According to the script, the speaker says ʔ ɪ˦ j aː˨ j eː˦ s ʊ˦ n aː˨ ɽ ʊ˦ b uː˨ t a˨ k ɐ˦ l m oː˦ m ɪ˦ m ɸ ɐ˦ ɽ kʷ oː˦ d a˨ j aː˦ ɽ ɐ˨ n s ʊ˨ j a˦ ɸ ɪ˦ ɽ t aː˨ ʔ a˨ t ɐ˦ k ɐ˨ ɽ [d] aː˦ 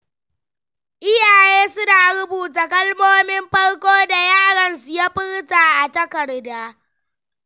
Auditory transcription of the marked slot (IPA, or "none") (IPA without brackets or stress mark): d